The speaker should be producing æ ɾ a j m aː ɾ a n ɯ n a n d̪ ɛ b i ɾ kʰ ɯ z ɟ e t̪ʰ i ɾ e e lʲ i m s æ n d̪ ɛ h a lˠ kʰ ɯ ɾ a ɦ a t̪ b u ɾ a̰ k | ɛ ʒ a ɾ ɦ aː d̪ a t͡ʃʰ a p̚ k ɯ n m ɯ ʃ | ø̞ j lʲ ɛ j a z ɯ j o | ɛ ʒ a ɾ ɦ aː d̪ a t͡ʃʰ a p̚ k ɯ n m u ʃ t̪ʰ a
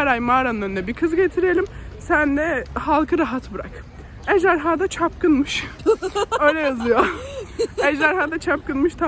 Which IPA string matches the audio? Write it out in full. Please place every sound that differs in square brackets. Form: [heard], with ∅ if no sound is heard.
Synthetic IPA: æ ɾ a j m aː ɾ a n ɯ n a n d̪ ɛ b i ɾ kʰ ɯ z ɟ e t̪ʰ i ɾ e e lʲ i m s æ n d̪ ɛ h a lˠ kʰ ɯ ɾ a ɦ a t̪ b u ɾ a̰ k | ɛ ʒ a ɾ ɦ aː d̪ a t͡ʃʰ a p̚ k ɯ n m ɯ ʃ | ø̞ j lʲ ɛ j a z ɯ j o | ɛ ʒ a ɾ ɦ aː d̪ a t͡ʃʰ a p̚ k ɯ n m [ɯ] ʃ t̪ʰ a